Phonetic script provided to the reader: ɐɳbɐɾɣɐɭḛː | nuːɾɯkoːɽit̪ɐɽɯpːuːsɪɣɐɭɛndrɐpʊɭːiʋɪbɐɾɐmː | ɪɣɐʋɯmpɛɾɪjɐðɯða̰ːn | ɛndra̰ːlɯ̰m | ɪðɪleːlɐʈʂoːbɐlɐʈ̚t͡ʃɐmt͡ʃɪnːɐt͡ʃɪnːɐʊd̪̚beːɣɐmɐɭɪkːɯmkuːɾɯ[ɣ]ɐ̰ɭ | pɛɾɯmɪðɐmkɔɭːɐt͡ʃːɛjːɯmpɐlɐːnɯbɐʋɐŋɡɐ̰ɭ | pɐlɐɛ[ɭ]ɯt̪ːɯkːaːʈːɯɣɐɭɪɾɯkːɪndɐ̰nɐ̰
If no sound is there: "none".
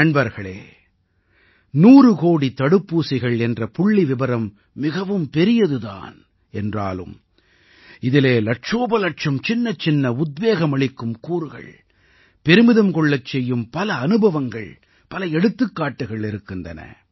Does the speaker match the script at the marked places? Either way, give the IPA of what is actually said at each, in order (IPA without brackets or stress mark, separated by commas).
ɣ, ɽ